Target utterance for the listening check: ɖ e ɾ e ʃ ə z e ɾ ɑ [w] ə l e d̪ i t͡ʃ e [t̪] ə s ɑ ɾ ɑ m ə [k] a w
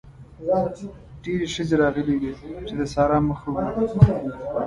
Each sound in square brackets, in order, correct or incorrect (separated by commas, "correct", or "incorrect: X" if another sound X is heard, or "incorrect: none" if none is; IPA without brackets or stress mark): incorrect: ɣ, incorrect: d̪, incorrect: x